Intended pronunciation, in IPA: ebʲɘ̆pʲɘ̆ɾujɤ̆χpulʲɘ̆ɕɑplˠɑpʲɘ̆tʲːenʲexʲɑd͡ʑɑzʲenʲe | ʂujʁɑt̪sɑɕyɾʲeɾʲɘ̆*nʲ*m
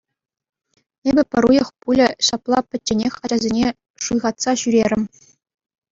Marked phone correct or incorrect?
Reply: incorrect